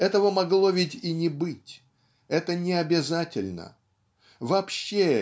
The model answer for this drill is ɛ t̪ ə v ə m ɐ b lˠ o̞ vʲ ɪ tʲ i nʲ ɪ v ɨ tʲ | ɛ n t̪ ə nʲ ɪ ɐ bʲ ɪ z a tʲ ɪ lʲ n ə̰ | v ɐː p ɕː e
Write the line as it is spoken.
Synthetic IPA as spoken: ɛ t̪ ə v ə m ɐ ɡ lˠ o̞ vʲ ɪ tʲ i nʲ ɪ b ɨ tʲ | ɛ t̪ ə nʲ ɪ ɐ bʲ ɪ z a tʲ ɪ lʲ n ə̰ | v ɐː p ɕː e